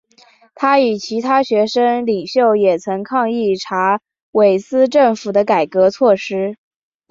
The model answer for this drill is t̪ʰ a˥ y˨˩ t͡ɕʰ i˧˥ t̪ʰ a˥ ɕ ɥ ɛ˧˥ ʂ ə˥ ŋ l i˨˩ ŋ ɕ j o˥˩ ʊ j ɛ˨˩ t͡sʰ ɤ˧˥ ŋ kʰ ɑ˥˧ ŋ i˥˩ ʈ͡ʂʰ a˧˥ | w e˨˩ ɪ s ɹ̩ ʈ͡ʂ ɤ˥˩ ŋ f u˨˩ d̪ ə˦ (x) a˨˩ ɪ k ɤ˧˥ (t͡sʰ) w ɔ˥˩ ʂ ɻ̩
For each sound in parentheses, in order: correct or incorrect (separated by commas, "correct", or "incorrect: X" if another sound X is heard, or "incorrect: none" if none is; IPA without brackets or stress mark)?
incorrect: k, correct